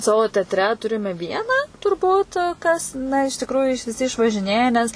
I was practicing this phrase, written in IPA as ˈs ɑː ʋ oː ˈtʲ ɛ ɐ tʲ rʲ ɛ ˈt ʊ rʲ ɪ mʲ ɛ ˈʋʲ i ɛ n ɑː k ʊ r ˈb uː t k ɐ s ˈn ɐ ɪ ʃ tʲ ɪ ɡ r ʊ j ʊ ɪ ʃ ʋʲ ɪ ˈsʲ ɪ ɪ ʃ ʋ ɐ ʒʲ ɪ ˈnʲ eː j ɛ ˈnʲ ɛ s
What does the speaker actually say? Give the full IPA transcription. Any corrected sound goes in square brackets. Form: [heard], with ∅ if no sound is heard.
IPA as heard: ˈs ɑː ʋ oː ˈtʲ ɛ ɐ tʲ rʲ ɛ ˈt ʊ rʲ ɪ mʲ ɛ ˈʋʲ i ɛ n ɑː [t] ʊ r ˈb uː t k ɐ s ˈn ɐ ɪ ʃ tʲ ɪ [k] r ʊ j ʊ ɪ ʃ ʋʲ ɪ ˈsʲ ɪ ɪ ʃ ʋ ɐ ʒʲ ɪ ˈnʲ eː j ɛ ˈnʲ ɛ s